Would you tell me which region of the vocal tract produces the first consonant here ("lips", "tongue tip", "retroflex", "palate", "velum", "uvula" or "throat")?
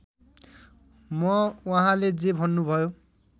lips